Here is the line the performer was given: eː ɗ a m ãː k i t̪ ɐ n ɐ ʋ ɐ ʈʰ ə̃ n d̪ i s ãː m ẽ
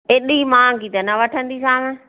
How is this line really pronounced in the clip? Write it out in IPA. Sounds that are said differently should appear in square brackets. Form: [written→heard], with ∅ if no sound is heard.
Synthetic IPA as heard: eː ɗ [a→i] m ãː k i t̪ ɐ n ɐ ʋ ɐ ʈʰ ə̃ n d̪ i s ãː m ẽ